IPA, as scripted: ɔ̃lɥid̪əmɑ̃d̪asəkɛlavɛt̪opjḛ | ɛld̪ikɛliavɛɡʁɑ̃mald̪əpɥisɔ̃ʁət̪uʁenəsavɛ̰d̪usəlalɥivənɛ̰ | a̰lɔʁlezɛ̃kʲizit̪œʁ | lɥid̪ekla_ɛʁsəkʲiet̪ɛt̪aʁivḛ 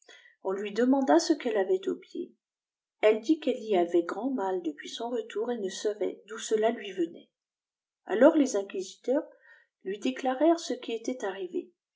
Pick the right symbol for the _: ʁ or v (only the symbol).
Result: ʁ